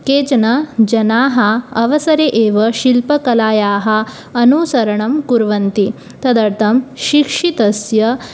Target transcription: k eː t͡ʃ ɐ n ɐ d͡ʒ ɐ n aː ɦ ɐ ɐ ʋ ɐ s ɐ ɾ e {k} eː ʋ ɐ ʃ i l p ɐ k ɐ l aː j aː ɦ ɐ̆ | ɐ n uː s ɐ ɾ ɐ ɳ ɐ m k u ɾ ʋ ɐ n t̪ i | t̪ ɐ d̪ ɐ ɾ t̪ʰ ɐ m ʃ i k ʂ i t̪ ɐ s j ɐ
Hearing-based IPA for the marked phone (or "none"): ʔ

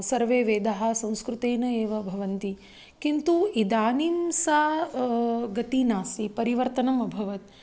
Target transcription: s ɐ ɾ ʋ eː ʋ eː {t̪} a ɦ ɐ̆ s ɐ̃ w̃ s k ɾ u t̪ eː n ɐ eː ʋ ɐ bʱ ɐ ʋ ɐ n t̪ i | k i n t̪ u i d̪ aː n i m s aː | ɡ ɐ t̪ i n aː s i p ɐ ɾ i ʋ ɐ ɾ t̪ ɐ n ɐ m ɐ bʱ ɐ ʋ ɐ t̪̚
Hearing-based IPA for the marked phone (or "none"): d̪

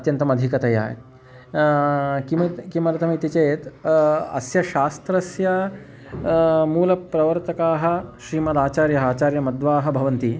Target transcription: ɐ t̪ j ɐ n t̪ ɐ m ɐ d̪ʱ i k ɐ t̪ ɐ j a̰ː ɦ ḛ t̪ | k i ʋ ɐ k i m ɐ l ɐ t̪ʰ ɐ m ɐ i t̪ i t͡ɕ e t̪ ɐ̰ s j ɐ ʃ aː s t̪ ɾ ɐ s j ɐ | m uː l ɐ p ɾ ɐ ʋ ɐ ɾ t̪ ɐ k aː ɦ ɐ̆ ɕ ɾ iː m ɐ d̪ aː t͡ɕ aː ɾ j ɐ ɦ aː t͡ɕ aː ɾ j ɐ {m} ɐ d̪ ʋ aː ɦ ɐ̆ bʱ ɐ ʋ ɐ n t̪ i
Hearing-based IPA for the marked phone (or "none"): m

